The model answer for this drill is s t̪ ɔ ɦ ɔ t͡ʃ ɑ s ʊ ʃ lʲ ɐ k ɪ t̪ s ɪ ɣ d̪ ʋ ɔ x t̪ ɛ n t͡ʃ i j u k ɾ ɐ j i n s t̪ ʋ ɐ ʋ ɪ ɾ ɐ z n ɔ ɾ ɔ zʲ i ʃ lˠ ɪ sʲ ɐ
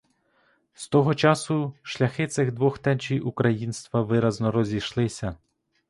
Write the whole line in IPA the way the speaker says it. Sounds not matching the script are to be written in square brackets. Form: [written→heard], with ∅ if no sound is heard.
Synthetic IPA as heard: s t̪ ɔ ɦ ɔ t͡ʃ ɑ s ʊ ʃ lʲ ɐ [k→x] ɪ t̪ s ɪ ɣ d̪ ʋ ɔ x t̪ ɛ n t͡ʃ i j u k ɾ ɐ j i n s t̪ ʋ ɐ ʋ ɪ ɾ ɐ z n ɔ ɾ ɔ zʲ i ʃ lˠ ɪ sʲ ɐ